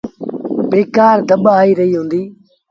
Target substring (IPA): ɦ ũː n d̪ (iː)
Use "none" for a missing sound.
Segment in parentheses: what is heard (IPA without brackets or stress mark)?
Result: iː